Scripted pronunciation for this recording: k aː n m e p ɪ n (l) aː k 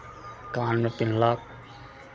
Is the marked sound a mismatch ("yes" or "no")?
no